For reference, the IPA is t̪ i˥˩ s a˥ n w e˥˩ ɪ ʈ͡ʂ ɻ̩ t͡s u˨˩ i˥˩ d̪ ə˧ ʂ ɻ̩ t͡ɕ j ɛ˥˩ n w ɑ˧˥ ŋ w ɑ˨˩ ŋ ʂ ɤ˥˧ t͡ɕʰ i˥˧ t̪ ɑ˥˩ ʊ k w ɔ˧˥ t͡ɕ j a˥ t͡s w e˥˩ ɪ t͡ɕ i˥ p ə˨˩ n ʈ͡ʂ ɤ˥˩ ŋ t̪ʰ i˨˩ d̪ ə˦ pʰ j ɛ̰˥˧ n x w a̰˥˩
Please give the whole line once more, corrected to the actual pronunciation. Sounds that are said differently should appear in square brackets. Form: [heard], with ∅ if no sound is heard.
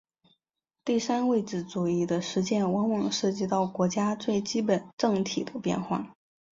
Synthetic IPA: t̪ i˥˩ s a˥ n w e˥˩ ɪ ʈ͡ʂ ɻ̩ t͡s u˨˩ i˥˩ d̪ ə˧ ʂ ɻ̩ t͡ɕ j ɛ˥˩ n w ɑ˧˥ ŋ w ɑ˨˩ ŋ ʂ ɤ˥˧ [t͡ɕ] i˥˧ t̪ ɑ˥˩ ʊ k w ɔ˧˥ t͡ɕ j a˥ t͡s w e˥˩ ɪ t͡ɕ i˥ p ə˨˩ n ʈ͡ʂ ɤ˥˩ ŋ t̪ʰ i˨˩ d̪ ə˦ [p] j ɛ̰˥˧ n x w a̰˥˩